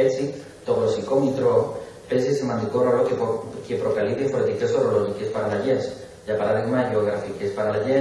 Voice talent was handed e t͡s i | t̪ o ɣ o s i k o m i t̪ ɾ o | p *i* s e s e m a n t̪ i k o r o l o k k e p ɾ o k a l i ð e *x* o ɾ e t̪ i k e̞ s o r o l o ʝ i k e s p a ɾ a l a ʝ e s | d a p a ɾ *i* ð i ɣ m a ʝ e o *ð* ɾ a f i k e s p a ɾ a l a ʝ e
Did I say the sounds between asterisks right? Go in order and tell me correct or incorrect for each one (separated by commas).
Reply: incorrect, incorrect, incorrect, incorrect